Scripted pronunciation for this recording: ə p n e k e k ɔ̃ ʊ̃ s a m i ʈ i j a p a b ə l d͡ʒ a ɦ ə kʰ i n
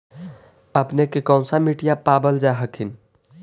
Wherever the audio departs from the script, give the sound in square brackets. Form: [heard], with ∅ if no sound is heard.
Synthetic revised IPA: ə p n e k e k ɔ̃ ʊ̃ s a m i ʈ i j a p a b ə l d͡ʒ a ɦ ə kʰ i n